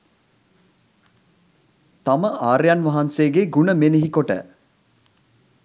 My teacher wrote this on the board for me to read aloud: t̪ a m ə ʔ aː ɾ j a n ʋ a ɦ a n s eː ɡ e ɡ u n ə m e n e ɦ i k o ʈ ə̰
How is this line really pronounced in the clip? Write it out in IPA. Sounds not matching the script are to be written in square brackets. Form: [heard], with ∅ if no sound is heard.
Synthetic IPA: t̪ a m ə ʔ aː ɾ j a n ʋ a ɦ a n s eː ɡ e ɡ u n ə m e n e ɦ i k o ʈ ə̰